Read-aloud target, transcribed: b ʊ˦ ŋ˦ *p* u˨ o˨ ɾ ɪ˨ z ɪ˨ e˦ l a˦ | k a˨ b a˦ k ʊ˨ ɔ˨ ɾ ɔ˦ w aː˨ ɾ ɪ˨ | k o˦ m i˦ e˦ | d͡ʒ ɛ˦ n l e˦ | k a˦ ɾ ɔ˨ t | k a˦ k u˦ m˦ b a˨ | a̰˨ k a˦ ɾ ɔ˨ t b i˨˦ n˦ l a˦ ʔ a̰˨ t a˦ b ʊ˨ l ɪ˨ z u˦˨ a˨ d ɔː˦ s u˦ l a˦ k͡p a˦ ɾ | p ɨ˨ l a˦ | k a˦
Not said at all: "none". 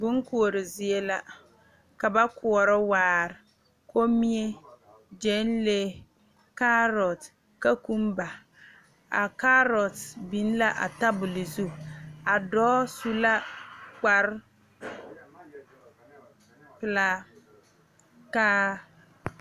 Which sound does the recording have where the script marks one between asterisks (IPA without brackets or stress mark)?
k